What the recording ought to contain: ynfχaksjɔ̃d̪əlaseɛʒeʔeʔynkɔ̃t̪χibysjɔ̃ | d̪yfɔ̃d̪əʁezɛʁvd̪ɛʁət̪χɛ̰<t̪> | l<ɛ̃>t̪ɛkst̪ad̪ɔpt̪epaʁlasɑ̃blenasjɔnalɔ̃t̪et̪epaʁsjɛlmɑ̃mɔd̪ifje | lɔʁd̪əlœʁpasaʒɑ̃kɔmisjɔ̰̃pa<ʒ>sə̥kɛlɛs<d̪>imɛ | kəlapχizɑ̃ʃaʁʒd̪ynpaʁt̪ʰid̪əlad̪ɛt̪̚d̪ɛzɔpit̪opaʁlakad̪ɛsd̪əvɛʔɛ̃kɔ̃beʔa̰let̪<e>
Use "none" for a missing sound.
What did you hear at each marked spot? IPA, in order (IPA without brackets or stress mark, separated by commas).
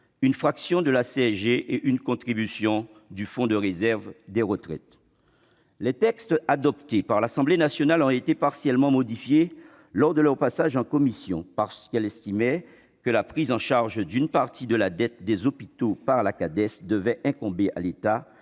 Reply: t̪, ɛ, ʁ, t̪, a